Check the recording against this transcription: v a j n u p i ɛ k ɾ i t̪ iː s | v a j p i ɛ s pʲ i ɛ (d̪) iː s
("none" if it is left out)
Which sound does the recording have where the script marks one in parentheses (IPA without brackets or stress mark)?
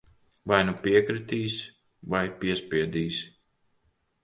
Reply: d̪